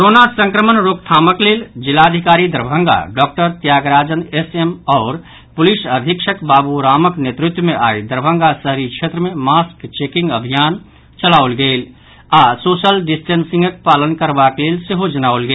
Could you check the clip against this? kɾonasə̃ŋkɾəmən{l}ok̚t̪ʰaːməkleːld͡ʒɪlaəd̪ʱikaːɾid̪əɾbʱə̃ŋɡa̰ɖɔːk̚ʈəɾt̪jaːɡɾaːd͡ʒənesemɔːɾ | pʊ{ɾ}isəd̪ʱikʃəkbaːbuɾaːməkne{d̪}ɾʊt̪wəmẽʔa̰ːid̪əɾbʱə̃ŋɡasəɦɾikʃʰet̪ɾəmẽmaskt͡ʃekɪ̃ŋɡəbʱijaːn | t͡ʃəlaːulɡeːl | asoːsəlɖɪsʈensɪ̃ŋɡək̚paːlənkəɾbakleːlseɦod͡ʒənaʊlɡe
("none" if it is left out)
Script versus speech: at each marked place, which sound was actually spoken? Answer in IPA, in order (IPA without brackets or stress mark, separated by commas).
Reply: ɾ, l, t̪